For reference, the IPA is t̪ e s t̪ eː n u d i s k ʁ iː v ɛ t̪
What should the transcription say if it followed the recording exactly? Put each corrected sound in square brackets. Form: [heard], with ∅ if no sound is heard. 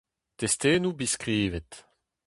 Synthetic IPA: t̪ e s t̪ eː n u [b] i s k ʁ iː v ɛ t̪